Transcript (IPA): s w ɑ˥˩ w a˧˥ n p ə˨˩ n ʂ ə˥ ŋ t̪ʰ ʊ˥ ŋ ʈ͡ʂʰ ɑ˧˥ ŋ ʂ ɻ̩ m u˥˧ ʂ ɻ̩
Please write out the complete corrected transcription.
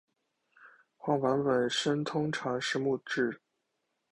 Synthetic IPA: x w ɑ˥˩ w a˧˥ n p ə˨˩ n ʂ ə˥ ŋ t̪ʰ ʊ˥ ŋ ʈ͡ʂʰ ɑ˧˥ ŋ ʂ ɻ̩ m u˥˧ ʈ͡ʂ ɻ̩